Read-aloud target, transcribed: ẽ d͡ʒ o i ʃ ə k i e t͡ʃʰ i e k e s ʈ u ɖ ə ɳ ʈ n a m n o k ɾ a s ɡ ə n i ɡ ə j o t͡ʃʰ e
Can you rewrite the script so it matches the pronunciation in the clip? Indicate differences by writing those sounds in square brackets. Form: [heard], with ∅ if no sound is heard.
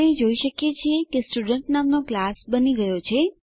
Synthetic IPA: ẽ d͡ʒ o i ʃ ə k [j] e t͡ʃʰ i e k e s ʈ u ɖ ə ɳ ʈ n a m n o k [l] a s [b] ə n i ɡ ə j o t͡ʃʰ e